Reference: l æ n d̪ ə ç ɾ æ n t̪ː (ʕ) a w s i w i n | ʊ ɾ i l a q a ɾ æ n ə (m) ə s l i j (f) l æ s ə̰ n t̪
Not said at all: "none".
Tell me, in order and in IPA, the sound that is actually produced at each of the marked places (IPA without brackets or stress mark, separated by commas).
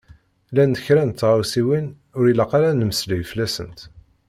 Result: ʁ, m, f